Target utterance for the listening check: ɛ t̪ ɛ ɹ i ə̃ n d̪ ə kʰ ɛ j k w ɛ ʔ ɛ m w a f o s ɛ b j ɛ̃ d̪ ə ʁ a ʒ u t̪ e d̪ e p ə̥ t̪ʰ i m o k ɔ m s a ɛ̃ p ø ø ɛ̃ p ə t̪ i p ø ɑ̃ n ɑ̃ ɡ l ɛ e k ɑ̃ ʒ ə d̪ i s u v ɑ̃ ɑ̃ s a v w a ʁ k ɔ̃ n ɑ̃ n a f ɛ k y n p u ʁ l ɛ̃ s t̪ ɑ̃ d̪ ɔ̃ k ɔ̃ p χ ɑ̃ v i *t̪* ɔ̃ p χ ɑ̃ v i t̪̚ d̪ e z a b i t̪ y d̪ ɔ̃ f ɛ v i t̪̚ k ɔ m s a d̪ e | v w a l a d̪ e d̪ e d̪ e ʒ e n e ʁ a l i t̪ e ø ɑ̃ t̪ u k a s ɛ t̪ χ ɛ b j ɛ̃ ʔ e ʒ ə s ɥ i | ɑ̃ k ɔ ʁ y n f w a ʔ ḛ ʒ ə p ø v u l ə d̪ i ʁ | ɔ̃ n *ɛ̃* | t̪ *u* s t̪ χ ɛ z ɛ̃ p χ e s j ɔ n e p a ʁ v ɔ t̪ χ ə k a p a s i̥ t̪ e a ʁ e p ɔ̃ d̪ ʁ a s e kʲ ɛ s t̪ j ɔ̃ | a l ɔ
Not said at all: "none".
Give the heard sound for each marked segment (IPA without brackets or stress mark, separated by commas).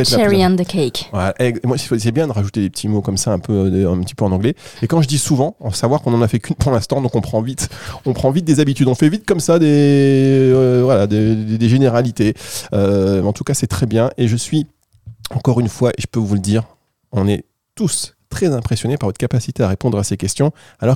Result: t̪, ɛ, u